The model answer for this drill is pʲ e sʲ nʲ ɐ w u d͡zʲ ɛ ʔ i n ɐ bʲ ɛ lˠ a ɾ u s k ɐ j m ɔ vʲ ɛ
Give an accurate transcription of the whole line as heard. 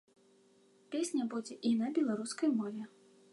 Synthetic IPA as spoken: pʲ e sʲ nʲ ɐ b u d͡zʲ ɛ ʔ i n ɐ bʲ ɛ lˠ a ɾ u s k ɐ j m ɔ vʲ ɛ